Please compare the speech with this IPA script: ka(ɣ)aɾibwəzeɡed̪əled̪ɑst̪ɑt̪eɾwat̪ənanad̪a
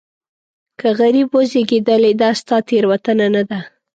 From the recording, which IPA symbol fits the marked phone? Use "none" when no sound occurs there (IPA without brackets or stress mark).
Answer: ɣ